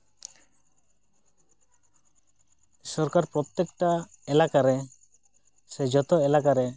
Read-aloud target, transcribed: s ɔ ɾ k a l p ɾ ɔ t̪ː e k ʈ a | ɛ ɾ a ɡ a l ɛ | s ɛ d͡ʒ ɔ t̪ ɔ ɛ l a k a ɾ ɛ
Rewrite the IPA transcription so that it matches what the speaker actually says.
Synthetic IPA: s ɔ ɾ k a ɾ p ɾ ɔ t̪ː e k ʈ a | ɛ l a k a ɾ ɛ | s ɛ d͡ʒ ɔ t̪ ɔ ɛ l a k a ɾ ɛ